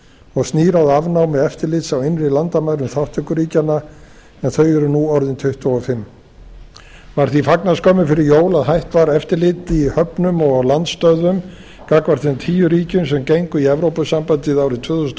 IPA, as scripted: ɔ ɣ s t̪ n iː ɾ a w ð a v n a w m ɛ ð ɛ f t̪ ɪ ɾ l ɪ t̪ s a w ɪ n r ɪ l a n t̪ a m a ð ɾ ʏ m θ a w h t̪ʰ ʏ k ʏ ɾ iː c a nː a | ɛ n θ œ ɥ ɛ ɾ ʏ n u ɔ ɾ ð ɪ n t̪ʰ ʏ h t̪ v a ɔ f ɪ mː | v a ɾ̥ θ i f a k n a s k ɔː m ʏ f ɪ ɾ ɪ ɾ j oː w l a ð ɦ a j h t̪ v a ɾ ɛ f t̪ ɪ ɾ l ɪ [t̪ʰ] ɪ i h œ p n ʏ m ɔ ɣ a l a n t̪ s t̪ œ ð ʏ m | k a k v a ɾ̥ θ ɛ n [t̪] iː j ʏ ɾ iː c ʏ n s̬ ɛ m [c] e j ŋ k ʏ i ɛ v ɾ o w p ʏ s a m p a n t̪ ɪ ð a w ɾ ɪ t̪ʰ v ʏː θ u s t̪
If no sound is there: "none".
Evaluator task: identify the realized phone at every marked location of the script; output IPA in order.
t̪, t̪ʰ, c

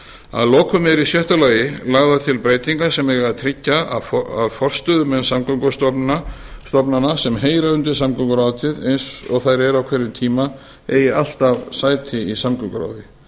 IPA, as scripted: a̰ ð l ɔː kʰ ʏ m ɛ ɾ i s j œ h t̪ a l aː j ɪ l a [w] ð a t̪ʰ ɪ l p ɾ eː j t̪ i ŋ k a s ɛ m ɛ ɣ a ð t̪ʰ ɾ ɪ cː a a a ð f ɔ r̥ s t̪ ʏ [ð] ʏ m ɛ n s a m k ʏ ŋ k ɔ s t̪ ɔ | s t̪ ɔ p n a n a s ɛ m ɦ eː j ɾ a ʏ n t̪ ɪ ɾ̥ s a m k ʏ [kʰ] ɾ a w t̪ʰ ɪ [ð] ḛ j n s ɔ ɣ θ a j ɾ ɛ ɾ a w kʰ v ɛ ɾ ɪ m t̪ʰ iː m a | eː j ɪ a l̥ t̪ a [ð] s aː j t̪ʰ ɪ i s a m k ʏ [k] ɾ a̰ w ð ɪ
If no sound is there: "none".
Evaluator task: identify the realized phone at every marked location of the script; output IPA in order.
ɣ, ð, k, ð, v, k

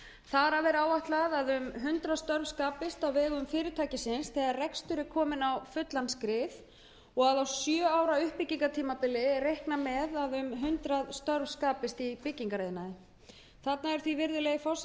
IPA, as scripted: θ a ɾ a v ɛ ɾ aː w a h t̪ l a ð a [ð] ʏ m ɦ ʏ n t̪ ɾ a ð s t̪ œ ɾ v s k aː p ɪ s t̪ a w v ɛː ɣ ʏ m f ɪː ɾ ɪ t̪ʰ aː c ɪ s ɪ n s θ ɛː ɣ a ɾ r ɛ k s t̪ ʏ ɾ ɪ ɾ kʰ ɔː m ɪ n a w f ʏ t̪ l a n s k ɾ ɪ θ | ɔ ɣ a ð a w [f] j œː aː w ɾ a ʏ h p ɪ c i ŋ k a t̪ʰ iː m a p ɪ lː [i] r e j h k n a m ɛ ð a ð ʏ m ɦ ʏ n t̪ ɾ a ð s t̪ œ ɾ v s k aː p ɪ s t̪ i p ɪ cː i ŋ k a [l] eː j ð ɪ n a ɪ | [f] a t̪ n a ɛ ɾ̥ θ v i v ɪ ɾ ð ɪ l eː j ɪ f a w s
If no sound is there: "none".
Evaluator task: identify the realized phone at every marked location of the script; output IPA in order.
ð, s, ɪ, ɾ, θ

